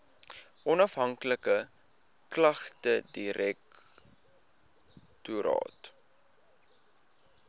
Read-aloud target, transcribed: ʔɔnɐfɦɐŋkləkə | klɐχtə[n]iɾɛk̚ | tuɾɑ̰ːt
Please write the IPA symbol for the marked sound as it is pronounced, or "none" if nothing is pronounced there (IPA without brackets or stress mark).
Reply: d